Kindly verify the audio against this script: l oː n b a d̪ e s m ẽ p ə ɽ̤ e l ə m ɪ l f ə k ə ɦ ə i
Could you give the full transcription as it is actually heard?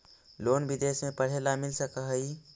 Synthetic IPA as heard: l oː n b i d̪ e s m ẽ p ə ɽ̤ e l a m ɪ l s ə k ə ɦ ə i